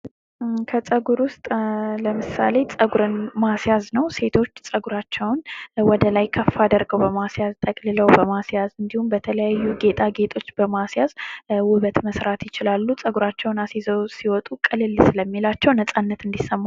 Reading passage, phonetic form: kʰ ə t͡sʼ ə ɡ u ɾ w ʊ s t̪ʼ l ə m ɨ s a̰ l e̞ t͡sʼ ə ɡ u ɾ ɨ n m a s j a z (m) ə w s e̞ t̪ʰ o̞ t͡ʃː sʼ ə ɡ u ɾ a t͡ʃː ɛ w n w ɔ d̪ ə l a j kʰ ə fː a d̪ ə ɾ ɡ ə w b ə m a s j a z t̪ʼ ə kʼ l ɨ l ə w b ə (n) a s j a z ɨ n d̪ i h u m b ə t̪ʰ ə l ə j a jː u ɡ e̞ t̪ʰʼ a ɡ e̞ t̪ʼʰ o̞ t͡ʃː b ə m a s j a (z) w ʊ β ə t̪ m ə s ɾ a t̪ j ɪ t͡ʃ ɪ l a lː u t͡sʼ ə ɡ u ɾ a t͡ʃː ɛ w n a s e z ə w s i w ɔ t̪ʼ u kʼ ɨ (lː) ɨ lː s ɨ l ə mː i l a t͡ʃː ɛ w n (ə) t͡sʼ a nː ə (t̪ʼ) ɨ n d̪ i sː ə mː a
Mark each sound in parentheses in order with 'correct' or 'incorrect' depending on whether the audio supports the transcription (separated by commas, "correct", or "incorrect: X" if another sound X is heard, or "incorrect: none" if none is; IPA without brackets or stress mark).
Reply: incorrect: n, incorrect: m, correct, incorrect: l, correct, incorrect: t̪